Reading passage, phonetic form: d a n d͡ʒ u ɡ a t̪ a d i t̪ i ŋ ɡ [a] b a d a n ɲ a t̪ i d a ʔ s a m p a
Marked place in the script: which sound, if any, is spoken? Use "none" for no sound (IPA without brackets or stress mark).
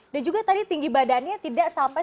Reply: i